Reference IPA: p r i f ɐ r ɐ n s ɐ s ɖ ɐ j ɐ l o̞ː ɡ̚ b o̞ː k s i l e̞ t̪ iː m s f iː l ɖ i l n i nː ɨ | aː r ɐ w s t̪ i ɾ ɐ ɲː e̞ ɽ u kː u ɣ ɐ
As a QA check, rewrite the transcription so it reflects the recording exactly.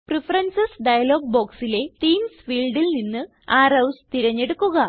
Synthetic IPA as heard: p r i f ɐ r ɐ n s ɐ s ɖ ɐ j ɐ l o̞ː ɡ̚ b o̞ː k s i l e̞ t̪ iː m s f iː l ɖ i l n i nː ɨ | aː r ɐ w s t̪ i ɾ ɐ ɲː e̞ ɽ u kː u ɣ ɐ